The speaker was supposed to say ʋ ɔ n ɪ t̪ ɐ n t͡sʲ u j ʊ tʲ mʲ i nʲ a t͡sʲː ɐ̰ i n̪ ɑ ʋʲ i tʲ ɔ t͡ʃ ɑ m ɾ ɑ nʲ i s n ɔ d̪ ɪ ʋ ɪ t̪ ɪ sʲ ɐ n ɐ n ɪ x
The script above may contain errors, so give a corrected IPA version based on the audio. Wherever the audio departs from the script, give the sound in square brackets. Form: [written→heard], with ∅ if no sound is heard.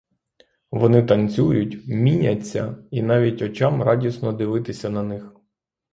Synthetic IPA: ʋ ɔ n ɪ t̪ ɐ n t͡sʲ u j ʊ tʲ mʲ i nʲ [a→ɐ] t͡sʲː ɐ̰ i n̪ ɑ ʋʲ i tʲ ɔ t͡ʃ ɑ m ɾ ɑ [nʲ→dʲ] i s n ɔ d̪ ɪ ʋ ɪ t̪ ɪ sʲ ɐ n ɐ n ɪ x